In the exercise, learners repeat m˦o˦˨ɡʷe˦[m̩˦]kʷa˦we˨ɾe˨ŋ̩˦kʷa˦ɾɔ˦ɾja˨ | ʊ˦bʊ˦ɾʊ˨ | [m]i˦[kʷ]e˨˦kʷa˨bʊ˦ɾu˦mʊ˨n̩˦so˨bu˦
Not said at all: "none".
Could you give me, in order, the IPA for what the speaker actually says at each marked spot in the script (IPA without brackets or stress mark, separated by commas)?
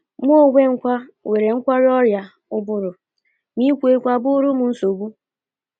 ŋ̩˦, m, kʷ